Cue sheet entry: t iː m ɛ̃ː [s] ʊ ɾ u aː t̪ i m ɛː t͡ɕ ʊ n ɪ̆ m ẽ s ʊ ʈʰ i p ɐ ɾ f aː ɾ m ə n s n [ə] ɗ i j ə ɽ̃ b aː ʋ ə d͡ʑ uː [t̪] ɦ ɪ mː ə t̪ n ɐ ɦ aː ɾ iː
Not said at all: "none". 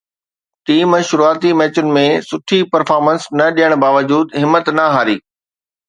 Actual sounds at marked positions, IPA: ʃ, ɐ, d̪

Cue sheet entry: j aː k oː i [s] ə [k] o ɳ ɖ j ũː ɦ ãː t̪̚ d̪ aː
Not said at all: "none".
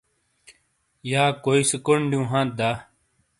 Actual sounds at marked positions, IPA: s, k

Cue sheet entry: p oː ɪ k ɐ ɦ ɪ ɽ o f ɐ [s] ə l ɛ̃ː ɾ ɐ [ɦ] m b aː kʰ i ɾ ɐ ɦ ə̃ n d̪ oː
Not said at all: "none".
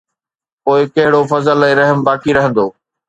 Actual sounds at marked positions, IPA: z, ɦ

